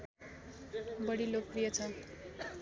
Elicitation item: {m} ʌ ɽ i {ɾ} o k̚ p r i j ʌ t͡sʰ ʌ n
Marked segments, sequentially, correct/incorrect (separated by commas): incorrect, incorrect